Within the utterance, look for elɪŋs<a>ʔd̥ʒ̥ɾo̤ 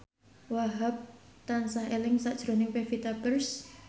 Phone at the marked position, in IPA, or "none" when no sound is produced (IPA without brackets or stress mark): a